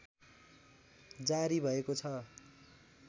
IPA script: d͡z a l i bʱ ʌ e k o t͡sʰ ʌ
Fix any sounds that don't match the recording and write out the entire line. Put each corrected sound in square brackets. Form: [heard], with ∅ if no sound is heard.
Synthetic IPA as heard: d͡z a [ɾ] i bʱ ʌ e k o t͡sʰ ʌ